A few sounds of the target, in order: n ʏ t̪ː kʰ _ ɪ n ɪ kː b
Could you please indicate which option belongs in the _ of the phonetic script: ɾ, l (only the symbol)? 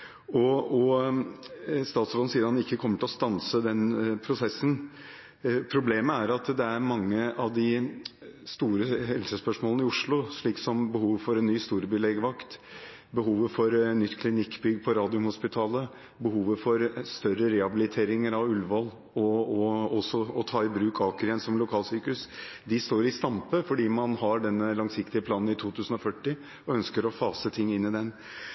l